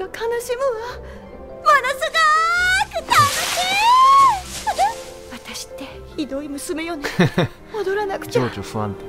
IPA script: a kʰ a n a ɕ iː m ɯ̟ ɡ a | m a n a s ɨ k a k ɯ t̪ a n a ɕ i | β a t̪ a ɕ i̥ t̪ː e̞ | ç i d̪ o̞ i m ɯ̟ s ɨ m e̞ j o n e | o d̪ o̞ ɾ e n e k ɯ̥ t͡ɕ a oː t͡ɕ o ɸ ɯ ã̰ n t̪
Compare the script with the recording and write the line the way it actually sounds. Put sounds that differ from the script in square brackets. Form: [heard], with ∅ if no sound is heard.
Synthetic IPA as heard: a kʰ a n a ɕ [i] m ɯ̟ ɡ a | m a n a s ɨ [ɡ] a k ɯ t̪ a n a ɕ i | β a t̪ a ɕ i̥ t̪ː e̞ | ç i d̪ o̞ i m ɯ̟ s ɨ m e̞ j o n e | o d̪ o̞ ɾ [a] n [a] k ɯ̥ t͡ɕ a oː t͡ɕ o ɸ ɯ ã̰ n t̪